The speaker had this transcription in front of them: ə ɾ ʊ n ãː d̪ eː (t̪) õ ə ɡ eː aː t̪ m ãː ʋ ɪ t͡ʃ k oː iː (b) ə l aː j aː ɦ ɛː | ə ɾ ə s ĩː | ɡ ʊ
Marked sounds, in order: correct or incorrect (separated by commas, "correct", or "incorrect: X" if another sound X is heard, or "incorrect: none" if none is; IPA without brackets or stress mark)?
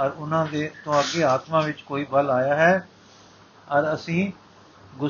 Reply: correct, correct